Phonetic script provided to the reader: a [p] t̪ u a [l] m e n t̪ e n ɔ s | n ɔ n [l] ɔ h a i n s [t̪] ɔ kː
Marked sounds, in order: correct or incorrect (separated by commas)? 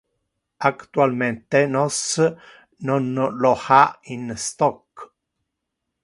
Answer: incorrect, correct, correct, correct